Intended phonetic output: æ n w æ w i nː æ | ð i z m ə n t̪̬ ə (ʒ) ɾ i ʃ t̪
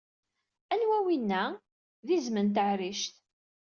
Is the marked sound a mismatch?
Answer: yes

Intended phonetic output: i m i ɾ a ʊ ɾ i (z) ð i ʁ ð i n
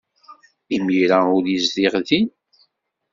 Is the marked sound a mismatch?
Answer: no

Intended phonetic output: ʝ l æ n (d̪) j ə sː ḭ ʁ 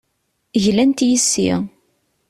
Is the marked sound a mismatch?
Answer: yes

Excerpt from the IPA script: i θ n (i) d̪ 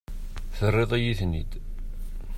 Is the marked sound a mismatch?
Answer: no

